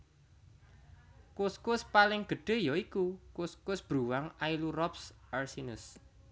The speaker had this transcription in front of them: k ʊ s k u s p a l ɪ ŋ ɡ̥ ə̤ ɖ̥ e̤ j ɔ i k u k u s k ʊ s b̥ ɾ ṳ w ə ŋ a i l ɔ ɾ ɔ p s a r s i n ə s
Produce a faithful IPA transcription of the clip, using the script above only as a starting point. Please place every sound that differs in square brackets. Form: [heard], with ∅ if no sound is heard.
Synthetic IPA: k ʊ s k [ʊ] s p a l ɪ ŋ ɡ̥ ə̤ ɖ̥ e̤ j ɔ i k u k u s k ʊ s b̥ ɾ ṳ w [a] ŋ a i l [u] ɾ ɔ p s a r s i n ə s